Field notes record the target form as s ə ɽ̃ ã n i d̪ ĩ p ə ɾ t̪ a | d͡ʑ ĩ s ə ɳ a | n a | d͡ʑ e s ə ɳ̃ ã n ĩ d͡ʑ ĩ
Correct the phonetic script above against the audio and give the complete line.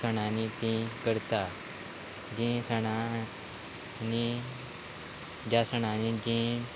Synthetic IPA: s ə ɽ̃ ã n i t̪ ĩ k ə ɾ t̪ a | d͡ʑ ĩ s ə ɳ a | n i | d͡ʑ a s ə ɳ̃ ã n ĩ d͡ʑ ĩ

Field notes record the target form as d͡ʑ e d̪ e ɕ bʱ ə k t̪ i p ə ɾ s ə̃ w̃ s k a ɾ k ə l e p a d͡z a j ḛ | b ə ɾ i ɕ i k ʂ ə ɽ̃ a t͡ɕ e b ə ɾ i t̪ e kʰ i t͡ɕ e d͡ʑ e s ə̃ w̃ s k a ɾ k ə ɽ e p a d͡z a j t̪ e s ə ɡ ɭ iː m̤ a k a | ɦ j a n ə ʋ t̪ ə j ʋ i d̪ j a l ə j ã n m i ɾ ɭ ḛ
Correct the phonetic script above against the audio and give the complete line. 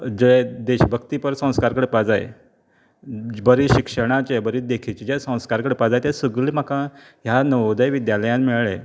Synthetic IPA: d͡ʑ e d̪ e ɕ bʱ ə k t̪ i p ə ɾ s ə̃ w̃ s k a ɾ k ə ɽ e p a d͡z a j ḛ | b ə ɾ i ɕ i k ʂ ə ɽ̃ a t͡ɕ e b ə ɾ i d̪ e kʰ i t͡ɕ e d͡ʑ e s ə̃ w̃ s k a ɾ k ə ɽ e p a d͡z a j t̪ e s ə ɡ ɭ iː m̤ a k a | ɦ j a n ə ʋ d̪ ə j ʋ i d̪ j a l ə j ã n m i ɭ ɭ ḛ

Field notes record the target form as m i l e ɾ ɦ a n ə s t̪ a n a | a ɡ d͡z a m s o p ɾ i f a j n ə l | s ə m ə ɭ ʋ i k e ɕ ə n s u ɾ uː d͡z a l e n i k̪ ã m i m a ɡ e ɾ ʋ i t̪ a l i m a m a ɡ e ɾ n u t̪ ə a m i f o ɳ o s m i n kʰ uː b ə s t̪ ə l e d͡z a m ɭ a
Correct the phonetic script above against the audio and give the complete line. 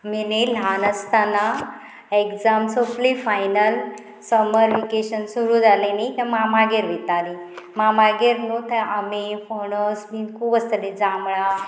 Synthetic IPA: m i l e l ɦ a n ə s t̪ a n a | e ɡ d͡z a m s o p l i f a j n ə l | s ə m ə ɾ ʋ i k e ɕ ə n s u ɾ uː d͡z a l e n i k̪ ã m a m a ɡ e ɾ ʋ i t̪ a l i m a m a ɡ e ɾ n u t̪ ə a m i f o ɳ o s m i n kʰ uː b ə s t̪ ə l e d͡z a m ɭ a

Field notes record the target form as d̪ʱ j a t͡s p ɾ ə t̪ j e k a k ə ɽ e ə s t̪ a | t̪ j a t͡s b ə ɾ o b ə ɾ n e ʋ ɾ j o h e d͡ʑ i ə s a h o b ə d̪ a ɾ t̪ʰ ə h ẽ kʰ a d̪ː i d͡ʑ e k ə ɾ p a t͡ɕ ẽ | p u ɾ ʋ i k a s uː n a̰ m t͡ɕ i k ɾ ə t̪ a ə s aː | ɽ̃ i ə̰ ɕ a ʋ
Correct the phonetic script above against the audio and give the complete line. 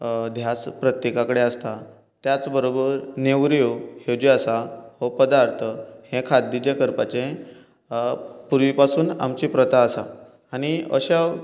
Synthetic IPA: d̪ʱ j a t͡s p ɾ ə t̪ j e k a k ə ɽ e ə s t̪ a | t̪ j a t͡s b ə ɾ o b ə ɾ n e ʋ ɾ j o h e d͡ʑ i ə s a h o p ə d̪ a ɾ t̪ʰ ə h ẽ kʰ a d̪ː i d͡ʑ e k ə ɾ p a t͡ɕ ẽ | p u ɾ ʋ i p a s uː n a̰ m t͡ɕ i p ɾ ə t̪ a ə s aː | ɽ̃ i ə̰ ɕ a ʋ

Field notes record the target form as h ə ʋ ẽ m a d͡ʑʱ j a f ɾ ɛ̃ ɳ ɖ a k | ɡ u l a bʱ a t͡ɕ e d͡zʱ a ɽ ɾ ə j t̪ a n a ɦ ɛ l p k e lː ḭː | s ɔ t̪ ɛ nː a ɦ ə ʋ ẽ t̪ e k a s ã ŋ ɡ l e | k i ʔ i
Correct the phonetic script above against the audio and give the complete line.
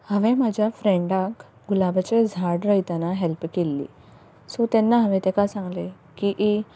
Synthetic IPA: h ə ʋ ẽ m a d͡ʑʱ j a f ɾ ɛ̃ ɳ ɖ a k | ɡ u l a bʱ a t͡ɕ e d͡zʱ a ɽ ɾ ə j t̪ a n a ɦ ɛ l p k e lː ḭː | s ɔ t̪ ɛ nː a ɦ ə ʋ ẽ t̪ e k a s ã ŋ ɡ l e | k i ʔ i

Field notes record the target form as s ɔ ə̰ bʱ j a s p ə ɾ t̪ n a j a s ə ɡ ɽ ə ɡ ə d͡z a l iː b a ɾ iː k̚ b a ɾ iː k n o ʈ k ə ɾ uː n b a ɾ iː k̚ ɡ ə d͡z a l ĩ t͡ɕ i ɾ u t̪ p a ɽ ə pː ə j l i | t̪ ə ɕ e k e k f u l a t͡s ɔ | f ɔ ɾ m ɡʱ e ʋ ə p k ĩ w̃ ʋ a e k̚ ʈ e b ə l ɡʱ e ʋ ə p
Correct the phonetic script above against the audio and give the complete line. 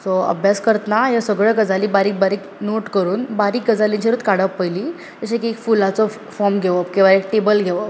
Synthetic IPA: s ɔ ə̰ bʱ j a s k ə ɾ t̪ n a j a s ə ɡ ɭ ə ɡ ə d͡z a l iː b a ɾ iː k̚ b a ɾ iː k n o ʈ k ə ɾ uː n b a ɾ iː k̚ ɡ ə d͡z a l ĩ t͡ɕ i ɾ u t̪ k a ɽ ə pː ə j l i | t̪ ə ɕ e k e k f u l a t͡s ɔ | f ɔ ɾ m ɡʱ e ʋ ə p k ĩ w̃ ʋ a e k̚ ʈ e b ə l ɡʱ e ʋ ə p

